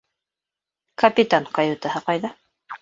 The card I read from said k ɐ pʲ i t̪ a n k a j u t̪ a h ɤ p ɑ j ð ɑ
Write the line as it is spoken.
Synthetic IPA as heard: k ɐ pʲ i t̪ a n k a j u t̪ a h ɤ q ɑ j ð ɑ